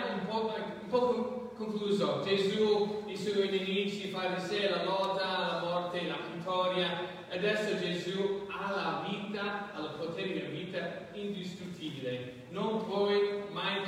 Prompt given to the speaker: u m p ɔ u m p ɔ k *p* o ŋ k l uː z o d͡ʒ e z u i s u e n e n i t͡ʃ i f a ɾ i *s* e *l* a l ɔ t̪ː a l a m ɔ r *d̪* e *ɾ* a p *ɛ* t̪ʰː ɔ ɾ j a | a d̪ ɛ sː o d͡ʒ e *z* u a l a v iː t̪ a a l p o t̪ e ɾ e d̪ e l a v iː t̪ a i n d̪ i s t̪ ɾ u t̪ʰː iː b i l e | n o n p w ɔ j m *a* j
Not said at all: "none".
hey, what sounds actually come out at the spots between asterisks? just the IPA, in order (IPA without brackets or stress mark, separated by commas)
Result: k, s, l, t̪, l, i, z, a